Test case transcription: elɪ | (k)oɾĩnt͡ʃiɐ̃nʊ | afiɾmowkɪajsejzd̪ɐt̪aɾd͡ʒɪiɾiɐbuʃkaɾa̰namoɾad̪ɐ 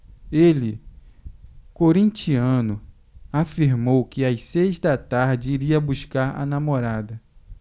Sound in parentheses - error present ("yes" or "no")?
no